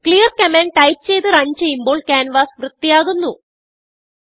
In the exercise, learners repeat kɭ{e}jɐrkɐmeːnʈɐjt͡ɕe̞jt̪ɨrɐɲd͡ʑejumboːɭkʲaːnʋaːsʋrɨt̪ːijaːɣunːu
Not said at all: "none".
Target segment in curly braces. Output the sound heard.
i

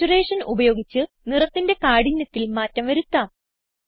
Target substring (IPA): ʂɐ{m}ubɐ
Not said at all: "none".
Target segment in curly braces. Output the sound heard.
n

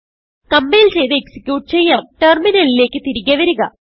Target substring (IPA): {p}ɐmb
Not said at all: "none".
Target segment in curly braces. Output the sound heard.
k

